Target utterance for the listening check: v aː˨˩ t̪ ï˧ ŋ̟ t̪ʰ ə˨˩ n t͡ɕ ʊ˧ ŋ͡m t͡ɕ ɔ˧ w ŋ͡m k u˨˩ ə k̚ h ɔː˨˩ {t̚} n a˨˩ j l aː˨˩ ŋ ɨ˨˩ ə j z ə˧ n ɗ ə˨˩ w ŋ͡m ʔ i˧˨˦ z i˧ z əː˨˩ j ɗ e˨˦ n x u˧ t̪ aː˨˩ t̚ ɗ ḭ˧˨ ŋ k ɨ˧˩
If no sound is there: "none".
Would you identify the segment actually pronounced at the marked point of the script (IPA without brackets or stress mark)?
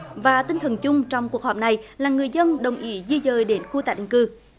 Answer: p̚